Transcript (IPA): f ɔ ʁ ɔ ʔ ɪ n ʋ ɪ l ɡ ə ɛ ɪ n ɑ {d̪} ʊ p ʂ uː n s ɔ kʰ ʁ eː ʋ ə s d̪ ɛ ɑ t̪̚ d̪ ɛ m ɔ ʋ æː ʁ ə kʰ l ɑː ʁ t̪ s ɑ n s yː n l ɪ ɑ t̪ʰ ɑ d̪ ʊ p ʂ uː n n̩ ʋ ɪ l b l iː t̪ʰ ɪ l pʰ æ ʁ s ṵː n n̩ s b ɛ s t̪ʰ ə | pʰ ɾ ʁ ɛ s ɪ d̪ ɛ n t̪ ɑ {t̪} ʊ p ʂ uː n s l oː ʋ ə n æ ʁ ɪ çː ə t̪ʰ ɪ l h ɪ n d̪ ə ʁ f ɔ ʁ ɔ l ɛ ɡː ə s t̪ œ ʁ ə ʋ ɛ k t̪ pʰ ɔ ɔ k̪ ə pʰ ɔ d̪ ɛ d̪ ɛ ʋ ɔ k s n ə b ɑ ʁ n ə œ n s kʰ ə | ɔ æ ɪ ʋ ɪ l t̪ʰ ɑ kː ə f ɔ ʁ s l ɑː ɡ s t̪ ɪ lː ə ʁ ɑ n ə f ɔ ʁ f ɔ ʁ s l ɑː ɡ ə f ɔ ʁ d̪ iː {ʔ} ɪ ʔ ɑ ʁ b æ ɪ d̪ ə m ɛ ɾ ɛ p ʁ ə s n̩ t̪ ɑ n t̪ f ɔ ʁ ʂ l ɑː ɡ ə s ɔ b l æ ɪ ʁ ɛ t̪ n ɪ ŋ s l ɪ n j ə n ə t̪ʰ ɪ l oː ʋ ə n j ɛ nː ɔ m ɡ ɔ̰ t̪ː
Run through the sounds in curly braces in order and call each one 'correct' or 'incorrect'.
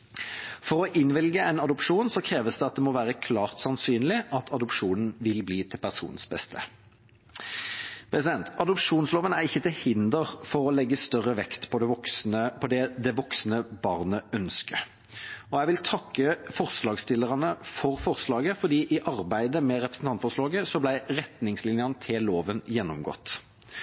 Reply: correct, incorrect: d̪, correct

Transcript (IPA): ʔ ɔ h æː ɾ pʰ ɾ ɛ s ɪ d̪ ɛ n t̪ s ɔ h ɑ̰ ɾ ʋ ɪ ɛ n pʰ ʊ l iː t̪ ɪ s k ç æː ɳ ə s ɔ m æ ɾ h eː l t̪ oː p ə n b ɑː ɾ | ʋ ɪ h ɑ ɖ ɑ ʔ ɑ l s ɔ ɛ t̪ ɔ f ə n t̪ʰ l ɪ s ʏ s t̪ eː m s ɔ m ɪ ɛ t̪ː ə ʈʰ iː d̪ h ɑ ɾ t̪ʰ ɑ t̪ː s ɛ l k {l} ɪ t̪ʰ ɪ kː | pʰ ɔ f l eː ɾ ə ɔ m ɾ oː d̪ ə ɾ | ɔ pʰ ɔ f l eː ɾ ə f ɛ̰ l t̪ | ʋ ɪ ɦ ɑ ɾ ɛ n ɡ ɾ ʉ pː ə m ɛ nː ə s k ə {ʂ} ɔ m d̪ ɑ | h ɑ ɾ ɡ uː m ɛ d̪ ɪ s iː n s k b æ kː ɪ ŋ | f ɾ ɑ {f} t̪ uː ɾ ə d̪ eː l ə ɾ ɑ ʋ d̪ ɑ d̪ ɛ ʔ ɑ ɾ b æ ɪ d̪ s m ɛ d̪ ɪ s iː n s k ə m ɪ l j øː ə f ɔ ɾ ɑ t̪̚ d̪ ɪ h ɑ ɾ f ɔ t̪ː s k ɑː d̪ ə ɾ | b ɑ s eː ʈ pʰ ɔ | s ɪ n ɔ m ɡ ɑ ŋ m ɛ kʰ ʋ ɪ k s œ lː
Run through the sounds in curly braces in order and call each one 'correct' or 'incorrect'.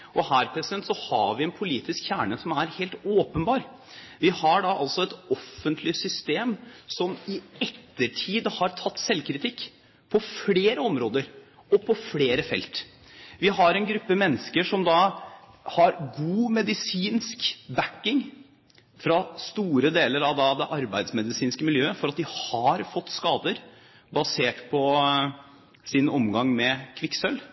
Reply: incorrect: ɾ, correct, incorrect: s

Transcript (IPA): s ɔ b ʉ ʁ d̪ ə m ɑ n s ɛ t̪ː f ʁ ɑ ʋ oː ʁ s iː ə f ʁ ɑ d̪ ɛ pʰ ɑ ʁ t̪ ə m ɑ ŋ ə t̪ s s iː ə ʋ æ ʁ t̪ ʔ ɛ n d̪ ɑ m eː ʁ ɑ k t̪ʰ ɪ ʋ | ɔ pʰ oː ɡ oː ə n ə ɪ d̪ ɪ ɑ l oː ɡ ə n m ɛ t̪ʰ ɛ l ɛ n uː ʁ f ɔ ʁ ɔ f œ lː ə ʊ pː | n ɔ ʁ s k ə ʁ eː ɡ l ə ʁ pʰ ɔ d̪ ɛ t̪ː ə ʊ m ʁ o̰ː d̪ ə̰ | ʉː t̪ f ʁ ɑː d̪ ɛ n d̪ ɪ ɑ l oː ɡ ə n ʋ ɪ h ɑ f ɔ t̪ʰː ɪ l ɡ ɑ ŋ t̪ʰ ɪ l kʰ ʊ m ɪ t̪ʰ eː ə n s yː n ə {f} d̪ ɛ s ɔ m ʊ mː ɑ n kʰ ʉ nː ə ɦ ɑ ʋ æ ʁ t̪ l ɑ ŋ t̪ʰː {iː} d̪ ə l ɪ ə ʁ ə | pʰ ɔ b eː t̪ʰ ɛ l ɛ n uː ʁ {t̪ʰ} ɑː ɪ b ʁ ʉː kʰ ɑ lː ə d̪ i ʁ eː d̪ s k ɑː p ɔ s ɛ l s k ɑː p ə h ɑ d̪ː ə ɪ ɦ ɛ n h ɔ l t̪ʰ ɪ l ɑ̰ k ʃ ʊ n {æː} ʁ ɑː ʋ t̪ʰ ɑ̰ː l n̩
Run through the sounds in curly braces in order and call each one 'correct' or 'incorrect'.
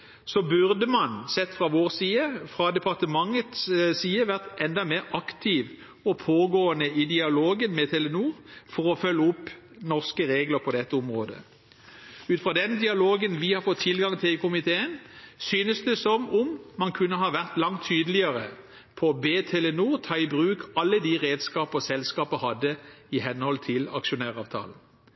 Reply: incorrect: s, incorrect: yː, correct, correct

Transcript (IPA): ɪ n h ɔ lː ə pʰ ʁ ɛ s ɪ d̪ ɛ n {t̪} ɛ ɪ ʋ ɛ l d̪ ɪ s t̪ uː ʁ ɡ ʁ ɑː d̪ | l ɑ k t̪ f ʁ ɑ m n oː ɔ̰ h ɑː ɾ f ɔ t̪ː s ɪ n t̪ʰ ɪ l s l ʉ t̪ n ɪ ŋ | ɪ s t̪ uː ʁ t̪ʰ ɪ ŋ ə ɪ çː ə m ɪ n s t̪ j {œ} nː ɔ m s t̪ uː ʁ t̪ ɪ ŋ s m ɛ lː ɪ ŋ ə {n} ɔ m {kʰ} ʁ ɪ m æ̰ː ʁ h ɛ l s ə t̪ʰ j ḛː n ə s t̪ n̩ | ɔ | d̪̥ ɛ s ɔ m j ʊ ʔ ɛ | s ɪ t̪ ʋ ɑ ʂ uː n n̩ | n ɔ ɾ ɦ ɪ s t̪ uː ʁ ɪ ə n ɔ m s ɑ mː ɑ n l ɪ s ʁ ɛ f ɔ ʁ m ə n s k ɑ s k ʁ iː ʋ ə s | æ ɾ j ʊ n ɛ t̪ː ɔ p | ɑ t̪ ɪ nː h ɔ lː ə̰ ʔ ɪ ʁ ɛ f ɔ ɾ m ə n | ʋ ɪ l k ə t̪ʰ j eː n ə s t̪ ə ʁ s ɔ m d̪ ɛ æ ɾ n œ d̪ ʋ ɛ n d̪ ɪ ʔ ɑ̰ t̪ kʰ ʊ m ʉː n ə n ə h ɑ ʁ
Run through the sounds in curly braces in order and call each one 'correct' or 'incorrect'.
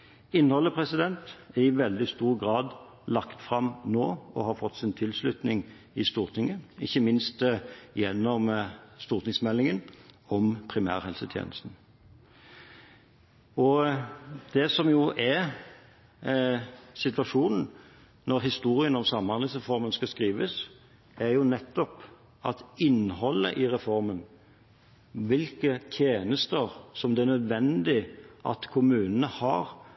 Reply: correct, incorrect: ɛ, correct, incorrect: pʰ

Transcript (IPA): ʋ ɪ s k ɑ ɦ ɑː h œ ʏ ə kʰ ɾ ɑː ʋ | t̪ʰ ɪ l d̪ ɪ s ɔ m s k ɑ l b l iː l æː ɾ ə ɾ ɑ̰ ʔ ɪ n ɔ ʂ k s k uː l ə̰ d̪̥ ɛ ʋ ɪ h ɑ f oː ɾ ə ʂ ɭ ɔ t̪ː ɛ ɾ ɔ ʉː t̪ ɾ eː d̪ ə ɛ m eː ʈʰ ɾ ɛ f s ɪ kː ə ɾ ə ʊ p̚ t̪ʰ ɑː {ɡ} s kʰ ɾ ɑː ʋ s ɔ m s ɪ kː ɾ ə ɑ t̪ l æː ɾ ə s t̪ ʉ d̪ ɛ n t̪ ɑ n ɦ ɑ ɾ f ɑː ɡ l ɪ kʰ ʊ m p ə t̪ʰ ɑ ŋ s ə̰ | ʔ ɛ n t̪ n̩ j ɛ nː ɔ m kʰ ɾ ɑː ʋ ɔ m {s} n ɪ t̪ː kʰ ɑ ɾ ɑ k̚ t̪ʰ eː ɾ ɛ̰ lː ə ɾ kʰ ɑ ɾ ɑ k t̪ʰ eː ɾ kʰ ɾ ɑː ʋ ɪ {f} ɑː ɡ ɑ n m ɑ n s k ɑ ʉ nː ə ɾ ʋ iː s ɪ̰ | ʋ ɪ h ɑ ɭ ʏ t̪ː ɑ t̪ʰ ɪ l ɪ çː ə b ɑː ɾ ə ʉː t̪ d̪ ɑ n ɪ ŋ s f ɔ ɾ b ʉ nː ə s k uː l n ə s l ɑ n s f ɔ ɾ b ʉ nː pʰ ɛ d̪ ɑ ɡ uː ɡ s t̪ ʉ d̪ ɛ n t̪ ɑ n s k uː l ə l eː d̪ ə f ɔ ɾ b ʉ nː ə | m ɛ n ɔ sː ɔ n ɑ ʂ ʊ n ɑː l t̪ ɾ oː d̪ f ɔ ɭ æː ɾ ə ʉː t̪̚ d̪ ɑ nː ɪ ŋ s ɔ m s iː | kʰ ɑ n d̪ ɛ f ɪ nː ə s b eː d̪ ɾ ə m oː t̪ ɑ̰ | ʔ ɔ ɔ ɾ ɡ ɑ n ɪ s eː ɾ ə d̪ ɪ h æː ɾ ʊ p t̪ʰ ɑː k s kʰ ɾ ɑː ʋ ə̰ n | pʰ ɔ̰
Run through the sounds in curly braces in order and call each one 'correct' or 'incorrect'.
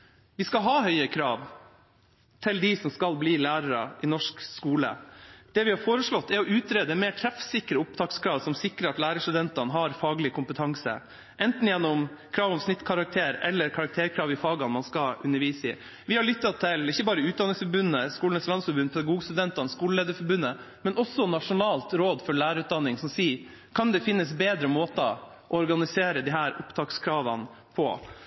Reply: incorrect: k, correct, correct

